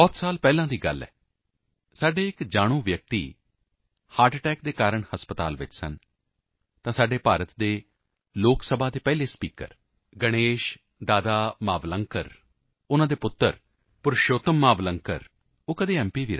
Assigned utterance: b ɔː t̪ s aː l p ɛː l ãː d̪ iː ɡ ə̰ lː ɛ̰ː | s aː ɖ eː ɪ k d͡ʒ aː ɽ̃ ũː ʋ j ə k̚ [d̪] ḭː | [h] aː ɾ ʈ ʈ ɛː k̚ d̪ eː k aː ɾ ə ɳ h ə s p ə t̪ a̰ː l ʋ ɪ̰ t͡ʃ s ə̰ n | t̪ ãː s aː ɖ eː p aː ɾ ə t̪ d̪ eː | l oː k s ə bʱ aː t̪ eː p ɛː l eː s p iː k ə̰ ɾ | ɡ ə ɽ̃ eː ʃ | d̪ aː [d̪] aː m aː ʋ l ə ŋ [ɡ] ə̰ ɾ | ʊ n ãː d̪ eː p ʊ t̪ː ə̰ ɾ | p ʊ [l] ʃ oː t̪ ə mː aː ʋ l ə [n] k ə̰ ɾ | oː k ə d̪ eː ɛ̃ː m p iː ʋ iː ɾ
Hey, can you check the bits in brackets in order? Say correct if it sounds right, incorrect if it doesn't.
incorrect: t̪, correct, correct, incorrect: k, incorrect: ɾ, incorrect: ŋ

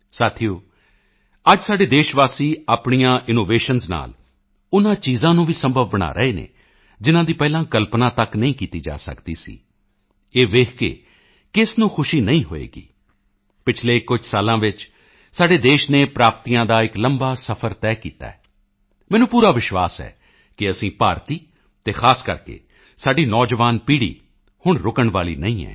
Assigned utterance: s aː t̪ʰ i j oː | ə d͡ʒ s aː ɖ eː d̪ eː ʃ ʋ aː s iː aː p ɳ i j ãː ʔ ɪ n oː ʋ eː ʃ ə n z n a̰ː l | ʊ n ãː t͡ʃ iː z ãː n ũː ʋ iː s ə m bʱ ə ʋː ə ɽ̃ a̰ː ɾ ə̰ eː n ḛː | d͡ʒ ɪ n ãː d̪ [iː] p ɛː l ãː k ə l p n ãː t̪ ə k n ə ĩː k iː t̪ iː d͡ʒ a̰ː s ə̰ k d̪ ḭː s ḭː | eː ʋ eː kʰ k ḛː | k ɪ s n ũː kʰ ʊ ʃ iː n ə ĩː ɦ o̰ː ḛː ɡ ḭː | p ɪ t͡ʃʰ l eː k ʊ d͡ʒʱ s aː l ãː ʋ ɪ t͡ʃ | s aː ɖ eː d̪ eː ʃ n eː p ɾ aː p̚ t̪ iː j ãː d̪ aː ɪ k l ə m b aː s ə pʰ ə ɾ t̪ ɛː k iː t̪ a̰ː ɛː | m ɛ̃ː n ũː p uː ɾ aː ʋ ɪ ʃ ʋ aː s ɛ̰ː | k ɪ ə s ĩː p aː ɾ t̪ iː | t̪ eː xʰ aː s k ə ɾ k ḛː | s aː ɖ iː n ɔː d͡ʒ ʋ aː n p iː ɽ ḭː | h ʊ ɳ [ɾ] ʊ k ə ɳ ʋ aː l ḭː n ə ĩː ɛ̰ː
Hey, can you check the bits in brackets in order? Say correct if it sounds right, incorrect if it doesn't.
correct, correct

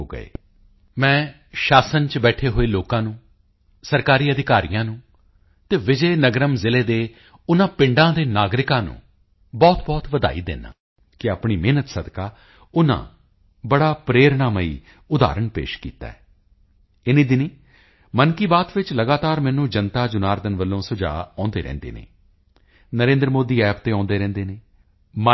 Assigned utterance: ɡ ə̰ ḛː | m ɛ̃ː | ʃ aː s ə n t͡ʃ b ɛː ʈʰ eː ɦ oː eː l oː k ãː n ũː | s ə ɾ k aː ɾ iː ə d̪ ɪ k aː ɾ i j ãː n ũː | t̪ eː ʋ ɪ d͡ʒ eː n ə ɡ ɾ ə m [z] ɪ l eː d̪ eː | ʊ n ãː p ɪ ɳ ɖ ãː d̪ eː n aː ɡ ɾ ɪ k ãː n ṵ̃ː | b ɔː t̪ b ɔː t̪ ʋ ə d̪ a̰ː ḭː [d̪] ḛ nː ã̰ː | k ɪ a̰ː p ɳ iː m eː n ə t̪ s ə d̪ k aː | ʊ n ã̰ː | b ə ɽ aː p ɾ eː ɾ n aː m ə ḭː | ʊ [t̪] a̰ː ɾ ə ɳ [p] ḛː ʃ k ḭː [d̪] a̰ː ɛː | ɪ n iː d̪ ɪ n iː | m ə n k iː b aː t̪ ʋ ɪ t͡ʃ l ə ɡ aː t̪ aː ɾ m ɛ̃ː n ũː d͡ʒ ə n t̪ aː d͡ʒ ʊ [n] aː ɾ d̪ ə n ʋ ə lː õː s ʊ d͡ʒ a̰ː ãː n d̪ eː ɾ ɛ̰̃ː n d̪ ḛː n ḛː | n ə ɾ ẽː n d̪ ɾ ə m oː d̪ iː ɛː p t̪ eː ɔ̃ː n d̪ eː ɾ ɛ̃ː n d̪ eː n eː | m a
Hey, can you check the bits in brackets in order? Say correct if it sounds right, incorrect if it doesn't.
correct, correct, incorrect: d̪, correct, incorrect: t̪, correct

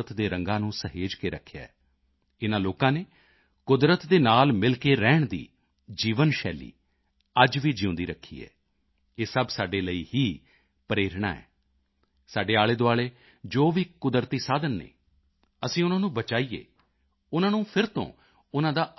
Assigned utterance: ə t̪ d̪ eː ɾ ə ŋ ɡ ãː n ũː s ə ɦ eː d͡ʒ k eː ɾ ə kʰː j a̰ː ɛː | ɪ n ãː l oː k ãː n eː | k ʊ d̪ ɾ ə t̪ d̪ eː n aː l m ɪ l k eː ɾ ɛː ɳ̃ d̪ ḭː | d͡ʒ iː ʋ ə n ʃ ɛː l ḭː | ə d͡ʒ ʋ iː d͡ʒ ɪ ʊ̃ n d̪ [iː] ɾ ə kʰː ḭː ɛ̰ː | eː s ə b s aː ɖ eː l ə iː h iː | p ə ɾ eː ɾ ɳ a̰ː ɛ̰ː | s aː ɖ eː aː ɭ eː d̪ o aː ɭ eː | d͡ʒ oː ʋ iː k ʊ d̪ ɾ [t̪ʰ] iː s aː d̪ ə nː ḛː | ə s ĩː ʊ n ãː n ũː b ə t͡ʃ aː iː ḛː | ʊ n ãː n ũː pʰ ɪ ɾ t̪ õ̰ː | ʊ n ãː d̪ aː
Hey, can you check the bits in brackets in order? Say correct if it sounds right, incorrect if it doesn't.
correct, incorrect: t̪

